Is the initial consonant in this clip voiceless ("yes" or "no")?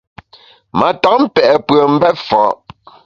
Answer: no